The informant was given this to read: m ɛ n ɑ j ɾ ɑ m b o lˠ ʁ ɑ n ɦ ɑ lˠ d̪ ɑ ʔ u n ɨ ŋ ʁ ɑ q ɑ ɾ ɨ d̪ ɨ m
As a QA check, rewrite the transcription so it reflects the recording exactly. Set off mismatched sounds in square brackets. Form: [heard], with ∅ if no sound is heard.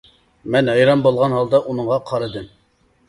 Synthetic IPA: m ɛ n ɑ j ɾ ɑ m b o lˠ ʁ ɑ n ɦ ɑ lˠ d̪ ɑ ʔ u n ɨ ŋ ʁ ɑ [qʰ] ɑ ɾ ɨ d̪ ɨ m